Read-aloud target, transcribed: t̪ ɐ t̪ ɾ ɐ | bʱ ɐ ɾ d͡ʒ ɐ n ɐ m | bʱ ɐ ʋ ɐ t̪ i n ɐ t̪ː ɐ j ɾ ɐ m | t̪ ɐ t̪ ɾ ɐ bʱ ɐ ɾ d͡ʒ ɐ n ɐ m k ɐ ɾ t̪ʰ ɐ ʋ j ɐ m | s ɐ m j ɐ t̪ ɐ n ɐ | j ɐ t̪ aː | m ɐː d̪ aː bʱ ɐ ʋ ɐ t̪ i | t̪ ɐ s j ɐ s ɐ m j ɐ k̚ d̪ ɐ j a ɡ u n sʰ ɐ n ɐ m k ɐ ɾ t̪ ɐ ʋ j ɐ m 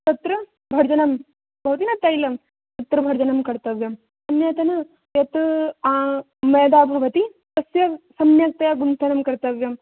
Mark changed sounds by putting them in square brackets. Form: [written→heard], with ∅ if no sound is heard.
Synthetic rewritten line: t̪ ɐ t̪ ɾ ɐ | bʱ ɐ ɾ d͡ʒ ɐ n ɐ m | bʱ ɐ ʋ ɐ t̪ i n ɐ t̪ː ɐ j [ɾ→l] ɐ m | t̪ ɐ t̪ ɾ ɐ bʱ ɐ ɾ d͡ʒ ɐ n ɐ m k ɐ ɾ [t̪ʰ→t̪] ɐ ʋ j ɐ m | s ɐ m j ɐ t̪ ɐ n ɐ | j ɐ t̪ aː | m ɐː d̪ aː bʱ ɐ ʋ ɐ t̪ i | t̪ ɐ s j ɐ s ɐ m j ɐ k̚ [d̪→t̪] ɐ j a ɡ u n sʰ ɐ n ɐ m k ɐ ɾ t̪ ɐ ʋ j ɐ m